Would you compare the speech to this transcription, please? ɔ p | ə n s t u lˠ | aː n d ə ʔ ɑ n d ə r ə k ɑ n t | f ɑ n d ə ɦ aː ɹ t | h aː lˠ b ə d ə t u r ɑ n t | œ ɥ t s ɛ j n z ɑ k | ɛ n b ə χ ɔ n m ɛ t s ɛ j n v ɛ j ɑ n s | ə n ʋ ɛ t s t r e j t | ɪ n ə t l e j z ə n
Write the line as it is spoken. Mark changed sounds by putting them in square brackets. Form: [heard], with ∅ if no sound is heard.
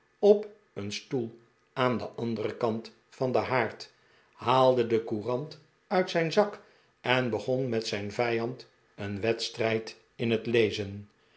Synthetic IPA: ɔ p | ə n s t u lˠ | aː n d ə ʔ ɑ n d ə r ə k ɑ n t | f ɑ n d ə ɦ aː ɹ t | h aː lˠ [d] ə d ə [k] u r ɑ n t | œ ɥ t s ɛ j n z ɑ k | ɛ n b ə χ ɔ n m ɛ t s ɛ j n v ɛ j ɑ n [t] | ə n ʋ ɛ t s t r [ɛ] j t | ɪ n ə t l e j z ə n

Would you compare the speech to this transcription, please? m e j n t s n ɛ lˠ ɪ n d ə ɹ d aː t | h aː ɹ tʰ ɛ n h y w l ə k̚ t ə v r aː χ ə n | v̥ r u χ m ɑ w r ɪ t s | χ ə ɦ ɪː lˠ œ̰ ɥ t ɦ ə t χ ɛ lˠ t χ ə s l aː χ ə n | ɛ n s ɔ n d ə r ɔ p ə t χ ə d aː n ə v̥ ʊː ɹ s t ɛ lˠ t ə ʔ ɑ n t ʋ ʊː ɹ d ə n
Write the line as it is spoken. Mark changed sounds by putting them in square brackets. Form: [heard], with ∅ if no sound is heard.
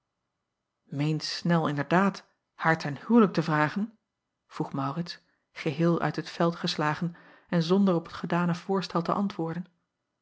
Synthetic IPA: m e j n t s n ɛ lˠ ɪ n d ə ɹ d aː t | h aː ɹ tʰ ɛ n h y w l ə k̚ t ə v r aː χ ə n | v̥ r u χ m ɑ w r ɪ t s | χ ə ɦ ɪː lˠ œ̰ ɥ t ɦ ə t [f] ɛ lˠ t χ ə s l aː χ ə n | ɛ n [z] ɔ n d ə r ɔ p ə t χ ə d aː n ə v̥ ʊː ɹ s t ɛ lˠ t ə ʔ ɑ n t ʋ ʊː ɹ d ə n

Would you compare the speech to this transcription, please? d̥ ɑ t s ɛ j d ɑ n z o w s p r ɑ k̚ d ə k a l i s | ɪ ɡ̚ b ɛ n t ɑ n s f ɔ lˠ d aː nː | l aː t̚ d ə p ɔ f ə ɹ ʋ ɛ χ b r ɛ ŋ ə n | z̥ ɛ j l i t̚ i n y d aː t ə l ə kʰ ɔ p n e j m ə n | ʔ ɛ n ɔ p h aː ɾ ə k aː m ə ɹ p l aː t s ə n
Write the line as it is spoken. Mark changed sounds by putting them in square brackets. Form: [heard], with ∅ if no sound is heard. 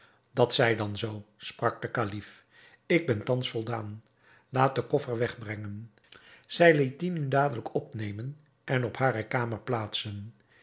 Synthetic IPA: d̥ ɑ t s ɛ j d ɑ n z o w s p r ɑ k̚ d ə k a l i [f] | ɪ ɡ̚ b ɛ n t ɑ n s f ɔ lˠ d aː [n] | l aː t̚ d ə [k] ɔ f ə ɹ ʋ ɛ χ b r ɛ ŋ ə n | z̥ ɛ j l i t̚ i n y d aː [d] ə l ə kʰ ɔ p n e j m ə n | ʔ ɛ n ɔ p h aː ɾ ə k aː m ə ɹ p l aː t s ə n

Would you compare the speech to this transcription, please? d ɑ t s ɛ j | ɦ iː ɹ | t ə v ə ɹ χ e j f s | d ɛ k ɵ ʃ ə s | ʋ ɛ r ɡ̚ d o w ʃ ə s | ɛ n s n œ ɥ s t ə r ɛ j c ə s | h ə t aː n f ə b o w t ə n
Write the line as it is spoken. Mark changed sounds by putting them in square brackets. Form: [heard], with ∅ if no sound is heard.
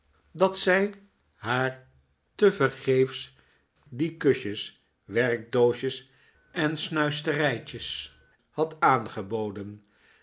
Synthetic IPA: d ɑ t s ɛ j | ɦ [aː] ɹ | t ə v ə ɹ χ e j f s | d [i] k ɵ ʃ ə s | ʋ ɛ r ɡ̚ d o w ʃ ə s | ɛ n s n œ ɥ s t ə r ɛ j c ə s | h [ɑ] t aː n [χ] ə b o w [d] ə n

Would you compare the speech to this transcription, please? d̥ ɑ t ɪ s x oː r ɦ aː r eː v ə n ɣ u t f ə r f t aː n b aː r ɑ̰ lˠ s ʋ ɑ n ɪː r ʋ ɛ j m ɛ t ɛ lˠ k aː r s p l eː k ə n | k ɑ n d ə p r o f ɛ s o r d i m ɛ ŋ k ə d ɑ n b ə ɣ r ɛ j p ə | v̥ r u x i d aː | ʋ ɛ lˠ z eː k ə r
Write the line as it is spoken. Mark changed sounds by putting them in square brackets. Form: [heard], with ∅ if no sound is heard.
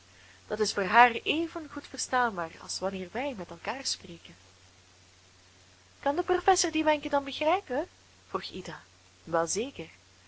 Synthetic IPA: d̥ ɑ t ɪ s [f] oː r ɦ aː r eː v ə n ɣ u t f ə r [s] t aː n b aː r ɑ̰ lˠ s ʋ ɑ n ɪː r ʋ ɛ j m ɛ t ɛ lˠ k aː r s p [r] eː k ə n | k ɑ n d ə p r o f ɛ s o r d i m ɛ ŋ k ə d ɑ n b ə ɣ r ɛ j p ə | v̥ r u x i d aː | ʋ ɛ lˠ z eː k ə r

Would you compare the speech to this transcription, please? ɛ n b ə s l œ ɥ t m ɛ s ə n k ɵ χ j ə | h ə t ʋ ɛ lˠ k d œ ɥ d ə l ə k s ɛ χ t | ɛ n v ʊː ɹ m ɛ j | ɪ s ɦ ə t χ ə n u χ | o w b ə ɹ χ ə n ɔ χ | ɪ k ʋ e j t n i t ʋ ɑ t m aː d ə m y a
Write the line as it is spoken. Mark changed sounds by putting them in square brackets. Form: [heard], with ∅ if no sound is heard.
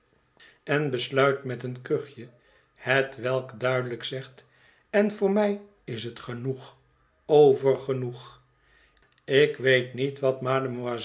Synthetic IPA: ɛ n b ə s l œ ɥ t m ɛ [t] ə n k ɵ χ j ə | h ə t ʋ ɛ lˠ k d œ ɥ d ə l ə k s ɛ χ t | ɛ n v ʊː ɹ m ɛ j | ɪ s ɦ ə t χ ə n u χ | o w [v] ə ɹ χ ə n [u] χ | ɪ k ʋ e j t n i t ʋ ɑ t m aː d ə m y a

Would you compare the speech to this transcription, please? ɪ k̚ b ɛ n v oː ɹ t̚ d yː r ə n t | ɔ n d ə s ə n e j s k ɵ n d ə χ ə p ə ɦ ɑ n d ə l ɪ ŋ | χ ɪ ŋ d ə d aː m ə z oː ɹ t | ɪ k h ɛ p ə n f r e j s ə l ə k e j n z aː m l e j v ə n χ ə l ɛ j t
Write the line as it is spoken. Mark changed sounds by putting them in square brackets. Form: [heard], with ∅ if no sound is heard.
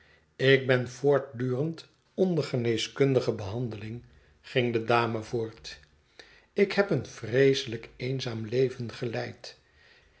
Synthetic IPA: ɪ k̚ b ɛ n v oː ɹ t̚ d yː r ə n t | ɔ n d ə [χ] ə n e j s k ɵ n d ə χ ə [b] ə ɦ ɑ n d ə l ɪ ŋ | χ ɪ ŋ d ə d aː m ə [v] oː ɹ t | ɪ k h ɛ p ə n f r e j s ə l ə k e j n z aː m l e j v ə n χ ə l ɛ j t

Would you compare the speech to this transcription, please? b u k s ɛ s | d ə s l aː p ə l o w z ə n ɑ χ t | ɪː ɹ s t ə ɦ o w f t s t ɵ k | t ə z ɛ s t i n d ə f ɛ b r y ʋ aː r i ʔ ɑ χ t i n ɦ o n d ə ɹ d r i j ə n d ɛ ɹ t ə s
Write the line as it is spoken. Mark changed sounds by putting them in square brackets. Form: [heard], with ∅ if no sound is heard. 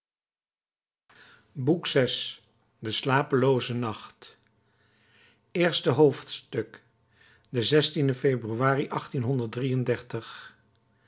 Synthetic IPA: b u k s ɛ s | d ə s l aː p ə l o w z ə n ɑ χ t | ɪː ɹ s t ə ɦ o w f t s t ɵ k | [d] ə z ɛ s t i n d ə f [e] b r y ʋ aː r i ʔ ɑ χ t i n ɦ [ɔ] n d ə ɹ d r i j ə n d ɛ ɹ t ə [χ]

